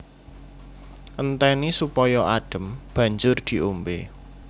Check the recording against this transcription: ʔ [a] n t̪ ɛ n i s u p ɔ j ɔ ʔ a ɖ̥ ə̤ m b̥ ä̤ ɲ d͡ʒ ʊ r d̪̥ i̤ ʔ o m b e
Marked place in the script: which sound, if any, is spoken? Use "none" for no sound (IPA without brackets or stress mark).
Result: ə